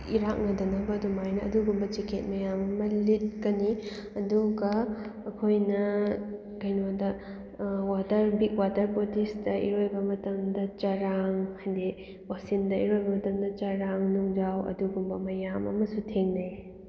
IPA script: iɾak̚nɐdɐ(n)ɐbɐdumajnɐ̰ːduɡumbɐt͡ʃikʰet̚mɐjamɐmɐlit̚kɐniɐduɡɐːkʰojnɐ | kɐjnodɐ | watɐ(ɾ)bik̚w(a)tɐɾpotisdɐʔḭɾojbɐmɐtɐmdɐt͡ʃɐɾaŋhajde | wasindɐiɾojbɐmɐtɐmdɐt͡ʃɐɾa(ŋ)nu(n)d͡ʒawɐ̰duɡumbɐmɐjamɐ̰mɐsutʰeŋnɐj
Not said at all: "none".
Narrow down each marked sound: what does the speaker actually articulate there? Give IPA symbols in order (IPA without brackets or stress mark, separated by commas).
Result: n, ɾ, a, ŋ, ŋ